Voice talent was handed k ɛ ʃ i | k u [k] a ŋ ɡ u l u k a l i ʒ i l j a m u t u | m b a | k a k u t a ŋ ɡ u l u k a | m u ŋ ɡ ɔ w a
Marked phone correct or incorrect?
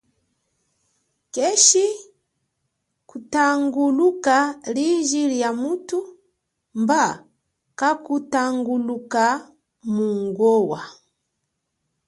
incorrect